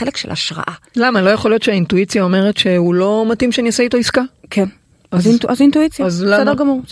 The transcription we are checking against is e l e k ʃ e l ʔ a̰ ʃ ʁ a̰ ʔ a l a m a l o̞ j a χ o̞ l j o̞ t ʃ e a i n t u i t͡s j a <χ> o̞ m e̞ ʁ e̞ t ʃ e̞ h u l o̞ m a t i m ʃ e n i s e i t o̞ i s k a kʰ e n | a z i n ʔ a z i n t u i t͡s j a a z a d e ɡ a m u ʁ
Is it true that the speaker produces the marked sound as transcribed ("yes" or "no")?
no